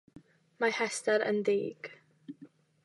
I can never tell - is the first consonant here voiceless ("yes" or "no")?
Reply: no